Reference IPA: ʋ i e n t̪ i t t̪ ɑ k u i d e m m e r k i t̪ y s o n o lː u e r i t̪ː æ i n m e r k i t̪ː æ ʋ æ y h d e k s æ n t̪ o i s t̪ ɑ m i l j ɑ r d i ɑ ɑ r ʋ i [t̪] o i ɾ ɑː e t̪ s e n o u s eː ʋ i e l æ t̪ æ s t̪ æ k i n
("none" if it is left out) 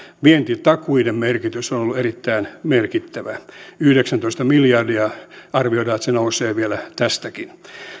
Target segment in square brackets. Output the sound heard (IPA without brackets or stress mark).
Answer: none